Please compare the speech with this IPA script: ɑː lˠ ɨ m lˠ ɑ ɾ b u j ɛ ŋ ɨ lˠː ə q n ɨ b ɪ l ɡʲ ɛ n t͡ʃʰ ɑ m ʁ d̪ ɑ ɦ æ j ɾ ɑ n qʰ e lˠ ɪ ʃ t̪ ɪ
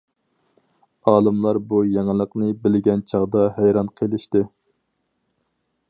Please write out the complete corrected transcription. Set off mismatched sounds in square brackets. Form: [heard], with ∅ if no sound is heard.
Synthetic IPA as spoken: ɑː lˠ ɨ m lˠ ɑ ɾ b u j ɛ ŋ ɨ [lˠ] ə q n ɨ b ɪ l ɡʲ ɛ n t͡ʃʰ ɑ [∅] ʁ d̪ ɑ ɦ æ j ɾ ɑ n qʰ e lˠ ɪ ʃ t̪ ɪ